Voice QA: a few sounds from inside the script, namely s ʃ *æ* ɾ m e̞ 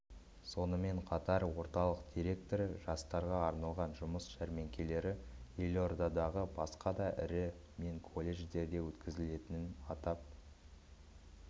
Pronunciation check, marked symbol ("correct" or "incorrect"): correct